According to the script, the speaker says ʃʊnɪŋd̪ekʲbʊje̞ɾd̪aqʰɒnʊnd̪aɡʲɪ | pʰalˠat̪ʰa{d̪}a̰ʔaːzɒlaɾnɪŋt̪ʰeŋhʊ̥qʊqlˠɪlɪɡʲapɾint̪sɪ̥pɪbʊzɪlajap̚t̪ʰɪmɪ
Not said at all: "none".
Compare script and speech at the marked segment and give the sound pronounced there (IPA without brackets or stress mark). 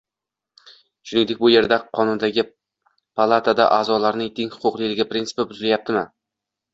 d̪